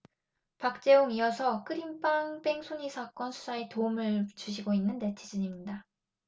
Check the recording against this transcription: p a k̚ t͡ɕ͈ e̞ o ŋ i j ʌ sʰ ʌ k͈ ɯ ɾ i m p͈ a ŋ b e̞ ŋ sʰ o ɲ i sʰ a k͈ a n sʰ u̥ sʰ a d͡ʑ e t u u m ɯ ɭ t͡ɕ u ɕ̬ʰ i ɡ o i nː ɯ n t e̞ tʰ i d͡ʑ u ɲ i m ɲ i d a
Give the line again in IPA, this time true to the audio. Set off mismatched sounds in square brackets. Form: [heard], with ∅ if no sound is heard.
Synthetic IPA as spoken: p a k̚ t͡ɕ͈ e̞ o ŋ i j ʌ sʰ ʌ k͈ ɯ ɾ i m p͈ a ŋ b e̞ ŋ sʰ o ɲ i sʰ a k͈ [ʌ] n sʰ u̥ sʰ a [∅] e t [o] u m ɯ ɭ t͡ɕ u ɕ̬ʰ i ɡ o i nː ɯ n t e̞ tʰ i d͡ʑ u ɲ i m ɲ i d a